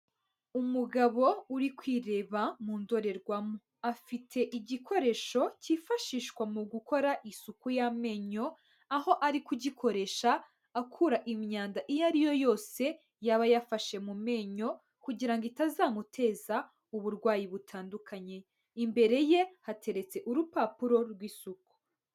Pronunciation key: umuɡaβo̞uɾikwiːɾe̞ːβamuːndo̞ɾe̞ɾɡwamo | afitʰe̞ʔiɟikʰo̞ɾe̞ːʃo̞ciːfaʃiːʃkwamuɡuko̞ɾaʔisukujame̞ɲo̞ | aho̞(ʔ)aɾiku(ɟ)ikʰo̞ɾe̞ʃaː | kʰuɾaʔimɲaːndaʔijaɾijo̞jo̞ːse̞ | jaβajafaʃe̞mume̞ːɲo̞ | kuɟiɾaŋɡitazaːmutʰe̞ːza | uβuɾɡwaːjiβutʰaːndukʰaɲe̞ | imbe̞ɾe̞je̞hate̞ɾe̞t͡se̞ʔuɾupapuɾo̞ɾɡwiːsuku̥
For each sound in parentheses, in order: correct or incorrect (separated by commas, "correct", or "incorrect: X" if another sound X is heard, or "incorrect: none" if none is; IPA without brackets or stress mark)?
correct, correct